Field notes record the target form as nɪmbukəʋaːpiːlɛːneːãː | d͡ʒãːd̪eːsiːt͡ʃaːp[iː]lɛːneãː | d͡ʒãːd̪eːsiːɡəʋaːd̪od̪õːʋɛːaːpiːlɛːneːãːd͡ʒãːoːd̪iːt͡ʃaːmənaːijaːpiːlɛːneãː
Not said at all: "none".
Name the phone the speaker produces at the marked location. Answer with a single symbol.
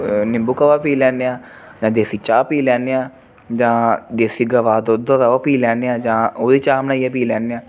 iː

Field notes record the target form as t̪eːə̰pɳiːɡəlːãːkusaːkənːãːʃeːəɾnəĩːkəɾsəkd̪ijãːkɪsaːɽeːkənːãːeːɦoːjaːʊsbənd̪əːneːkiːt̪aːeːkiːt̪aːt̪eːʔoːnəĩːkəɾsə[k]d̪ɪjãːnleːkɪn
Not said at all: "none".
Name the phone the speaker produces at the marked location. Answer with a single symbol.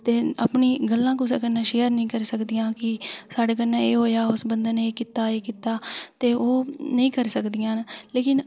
k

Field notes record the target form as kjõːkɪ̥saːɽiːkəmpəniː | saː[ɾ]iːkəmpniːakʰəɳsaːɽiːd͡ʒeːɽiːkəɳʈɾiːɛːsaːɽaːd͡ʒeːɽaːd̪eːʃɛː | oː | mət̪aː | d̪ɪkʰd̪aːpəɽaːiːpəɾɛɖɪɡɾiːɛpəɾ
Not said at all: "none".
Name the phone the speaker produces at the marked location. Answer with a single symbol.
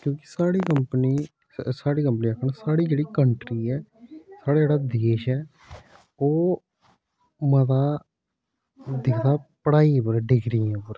ɽ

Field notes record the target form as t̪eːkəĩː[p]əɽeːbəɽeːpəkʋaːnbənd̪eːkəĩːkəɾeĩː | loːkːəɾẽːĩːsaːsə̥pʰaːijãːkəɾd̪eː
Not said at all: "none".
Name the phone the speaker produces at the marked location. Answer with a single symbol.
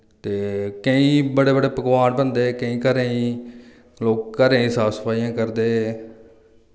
b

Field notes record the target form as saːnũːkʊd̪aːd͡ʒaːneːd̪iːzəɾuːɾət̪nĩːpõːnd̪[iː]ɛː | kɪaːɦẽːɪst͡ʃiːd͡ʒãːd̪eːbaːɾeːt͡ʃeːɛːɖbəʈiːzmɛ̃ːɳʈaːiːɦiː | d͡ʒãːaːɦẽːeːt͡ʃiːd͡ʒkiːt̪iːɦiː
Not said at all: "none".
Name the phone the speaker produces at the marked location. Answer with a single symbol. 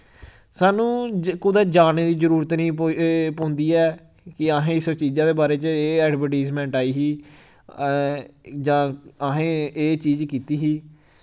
iː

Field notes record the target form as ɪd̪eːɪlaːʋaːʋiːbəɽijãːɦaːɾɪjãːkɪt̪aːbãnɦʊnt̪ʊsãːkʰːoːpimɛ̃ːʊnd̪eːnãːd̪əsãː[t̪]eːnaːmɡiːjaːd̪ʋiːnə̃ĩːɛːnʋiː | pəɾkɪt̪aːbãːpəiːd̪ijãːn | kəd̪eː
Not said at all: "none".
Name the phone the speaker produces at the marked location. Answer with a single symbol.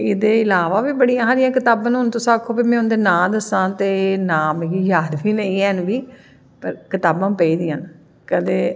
t̪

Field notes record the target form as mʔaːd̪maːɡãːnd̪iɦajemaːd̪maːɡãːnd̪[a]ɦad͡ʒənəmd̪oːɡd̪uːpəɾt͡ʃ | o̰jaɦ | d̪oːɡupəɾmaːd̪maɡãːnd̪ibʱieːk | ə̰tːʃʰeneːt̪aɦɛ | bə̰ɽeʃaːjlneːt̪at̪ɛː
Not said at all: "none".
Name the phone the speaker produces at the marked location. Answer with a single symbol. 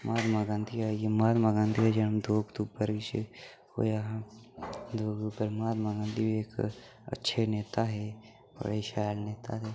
i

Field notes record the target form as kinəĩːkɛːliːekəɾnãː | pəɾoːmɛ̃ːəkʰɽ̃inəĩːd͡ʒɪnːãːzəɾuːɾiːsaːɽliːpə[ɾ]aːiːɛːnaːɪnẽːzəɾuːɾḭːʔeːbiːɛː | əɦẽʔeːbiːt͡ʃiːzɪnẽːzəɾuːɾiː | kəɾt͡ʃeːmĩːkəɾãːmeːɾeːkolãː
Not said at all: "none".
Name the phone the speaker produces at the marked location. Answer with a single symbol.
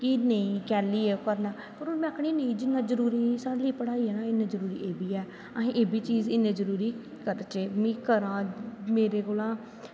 ɽ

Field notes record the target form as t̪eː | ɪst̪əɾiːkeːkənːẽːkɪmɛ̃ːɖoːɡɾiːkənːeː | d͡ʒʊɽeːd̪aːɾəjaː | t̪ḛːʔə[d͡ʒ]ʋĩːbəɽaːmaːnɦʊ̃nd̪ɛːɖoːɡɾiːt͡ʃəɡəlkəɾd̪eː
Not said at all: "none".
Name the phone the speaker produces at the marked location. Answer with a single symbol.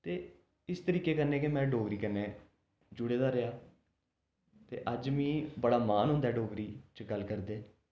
d͡ʒ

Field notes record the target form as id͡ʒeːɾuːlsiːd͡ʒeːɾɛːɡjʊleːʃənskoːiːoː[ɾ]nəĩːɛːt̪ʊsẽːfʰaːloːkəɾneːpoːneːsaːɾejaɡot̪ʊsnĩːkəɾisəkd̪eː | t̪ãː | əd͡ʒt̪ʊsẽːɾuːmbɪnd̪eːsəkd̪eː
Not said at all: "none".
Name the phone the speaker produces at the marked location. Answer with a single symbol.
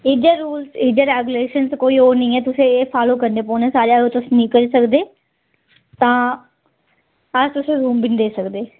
ɾ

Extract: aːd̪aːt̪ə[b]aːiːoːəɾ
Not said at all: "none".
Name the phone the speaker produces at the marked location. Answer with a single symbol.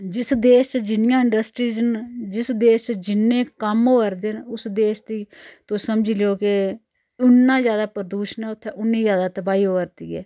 b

